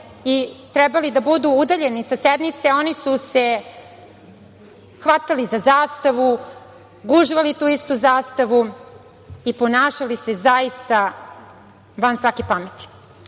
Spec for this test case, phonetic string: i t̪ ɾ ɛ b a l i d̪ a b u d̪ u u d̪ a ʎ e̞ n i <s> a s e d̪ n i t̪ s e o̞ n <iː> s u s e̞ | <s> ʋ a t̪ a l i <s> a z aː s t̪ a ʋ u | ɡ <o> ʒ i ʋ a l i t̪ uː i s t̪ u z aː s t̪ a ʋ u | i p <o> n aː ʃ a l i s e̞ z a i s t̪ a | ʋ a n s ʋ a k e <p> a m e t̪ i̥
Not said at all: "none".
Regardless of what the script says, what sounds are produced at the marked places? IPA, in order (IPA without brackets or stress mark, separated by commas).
s, i, x, z, u, o, p